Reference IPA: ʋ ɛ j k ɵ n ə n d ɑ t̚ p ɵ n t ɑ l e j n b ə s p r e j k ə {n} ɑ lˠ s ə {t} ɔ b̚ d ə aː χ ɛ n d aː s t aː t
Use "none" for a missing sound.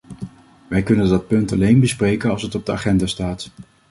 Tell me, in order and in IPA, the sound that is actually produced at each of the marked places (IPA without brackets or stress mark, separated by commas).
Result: n, t